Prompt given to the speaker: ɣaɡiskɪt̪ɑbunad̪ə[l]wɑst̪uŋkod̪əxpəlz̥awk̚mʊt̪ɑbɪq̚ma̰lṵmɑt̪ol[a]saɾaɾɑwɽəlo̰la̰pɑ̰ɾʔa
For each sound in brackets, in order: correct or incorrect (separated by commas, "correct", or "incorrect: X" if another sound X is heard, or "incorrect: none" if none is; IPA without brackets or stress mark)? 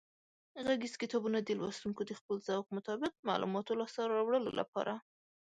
correct, incorrect: ɑ